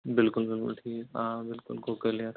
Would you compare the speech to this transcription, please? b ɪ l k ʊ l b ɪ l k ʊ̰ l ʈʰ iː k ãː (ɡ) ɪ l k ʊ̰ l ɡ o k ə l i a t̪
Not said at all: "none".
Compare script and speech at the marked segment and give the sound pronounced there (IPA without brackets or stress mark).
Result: b